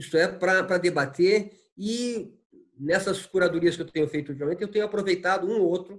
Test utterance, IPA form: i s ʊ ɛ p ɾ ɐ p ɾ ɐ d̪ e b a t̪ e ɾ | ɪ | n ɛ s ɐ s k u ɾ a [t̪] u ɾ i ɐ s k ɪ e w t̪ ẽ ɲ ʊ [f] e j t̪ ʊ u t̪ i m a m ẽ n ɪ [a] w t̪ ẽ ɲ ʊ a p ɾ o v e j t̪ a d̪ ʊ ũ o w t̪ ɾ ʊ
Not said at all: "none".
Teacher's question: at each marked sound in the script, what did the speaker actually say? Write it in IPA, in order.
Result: d̪, f, e

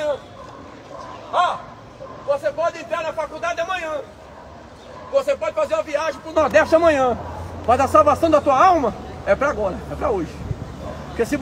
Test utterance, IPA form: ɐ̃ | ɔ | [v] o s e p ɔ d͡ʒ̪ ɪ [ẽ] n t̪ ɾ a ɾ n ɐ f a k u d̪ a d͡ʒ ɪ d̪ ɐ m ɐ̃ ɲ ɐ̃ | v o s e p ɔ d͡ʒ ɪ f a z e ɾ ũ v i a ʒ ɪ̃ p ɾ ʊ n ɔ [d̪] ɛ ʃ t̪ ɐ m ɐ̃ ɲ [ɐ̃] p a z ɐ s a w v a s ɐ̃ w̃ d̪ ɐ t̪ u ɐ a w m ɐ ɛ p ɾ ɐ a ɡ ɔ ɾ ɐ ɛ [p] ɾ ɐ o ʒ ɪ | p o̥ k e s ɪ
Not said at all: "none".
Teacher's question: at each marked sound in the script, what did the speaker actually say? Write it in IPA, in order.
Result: v, ẽ, d̪, ɐ̃, p

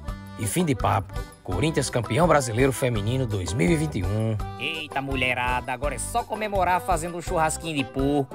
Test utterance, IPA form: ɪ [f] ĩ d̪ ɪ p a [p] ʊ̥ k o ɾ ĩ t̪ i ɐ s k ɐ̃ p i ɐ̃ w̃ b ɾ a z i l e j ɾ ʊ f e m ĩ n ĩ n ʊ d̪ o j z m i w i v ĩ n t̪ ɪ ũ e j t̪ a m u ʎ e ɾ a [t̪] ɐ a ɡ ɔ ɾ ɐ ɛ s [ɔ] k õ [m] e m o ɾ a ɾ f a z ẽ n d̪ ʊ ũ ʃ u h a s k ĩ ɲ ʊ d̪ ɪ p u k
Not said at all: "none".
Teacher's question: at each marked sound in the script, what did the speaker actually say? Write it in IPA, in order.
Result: f, p, d̪, ɔ, m

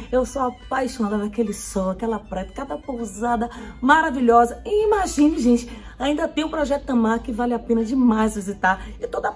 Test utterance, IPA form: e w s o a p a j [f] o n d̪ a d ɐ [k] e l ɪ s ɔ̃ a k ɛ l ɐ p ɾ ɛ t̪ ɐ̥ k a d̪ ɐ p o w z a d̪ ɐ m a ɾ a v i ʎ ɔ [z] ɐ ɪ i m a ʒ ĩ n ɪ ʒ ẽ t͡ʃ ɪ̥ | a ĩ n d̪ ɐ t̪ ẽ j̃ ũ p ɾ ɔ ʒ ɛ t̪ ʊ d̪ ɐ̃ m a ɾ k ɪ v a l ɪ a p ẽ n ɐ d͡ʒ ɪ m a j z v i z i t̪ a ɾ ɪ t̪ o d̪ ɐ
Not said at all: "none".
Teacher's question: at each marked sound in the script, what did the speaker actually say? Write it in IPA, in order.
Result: ʃ, k, z

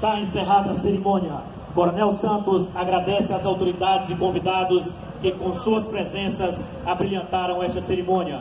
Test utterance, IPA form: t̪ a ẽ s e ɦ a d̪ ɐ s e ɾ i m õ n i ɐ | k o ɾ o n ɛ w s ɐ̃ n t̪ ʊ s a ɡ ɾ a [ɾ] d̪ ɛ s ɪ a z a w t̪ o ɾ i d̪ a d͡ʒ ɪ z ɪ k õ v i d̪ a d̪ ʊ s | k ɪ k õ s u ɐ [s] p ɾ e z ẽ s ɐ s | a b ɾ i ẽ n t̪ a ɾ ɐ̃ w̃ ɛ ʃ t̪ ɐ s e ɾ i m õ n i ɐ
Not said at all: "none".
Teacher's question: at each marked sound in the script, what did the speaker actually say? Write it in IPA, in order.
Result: none, s

